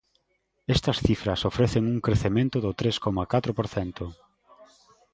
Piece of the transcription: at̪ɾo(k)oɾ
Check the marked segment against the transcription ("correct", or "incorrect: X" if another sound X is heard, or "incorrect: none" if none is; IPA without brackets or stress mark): incorrect: p